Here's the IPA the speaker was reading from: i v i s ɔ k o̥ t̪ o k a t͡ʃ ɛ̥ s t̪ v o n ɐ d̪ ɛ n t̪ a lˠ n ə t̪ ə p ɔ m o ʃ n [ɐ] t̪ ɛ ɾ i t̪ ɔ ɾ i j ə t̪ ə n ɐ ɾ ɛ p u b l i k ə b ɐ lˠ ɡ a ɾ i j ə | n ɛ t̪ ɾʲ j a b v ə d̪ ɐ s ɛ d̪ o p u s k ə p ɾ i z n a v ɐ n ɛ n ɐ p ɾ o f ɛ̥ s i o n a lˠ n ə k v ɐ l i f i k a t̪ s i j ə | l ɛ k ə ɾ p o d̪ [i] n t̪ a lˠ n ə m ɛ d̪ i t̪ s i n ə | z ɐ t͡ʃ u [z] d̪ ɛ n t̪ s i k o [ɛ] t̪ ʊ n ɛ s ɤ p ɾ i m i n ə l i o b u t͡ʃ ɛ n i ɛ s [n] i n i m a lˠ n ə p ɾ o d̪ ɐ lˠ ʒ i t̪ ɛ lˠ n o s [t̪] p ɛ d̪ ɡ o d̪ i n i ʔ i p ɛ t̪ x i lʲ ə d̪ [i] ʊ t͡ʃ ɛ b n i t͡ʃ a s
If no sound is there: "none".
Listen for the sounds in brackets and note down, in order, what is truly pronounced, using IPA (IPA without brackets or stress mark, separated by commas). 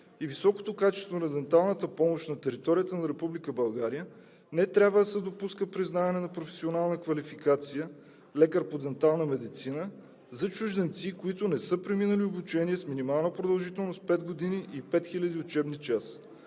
ɐ, ɛ, ʒ, i, m, t̪, i